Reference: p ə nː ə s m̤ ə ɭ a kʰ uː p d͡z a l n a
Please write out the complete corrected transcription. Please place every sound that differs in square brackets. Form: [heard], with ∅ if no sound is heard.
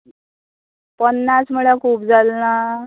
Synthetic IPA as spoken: p ə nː [a] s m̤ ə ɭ a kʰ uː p d͡z a l n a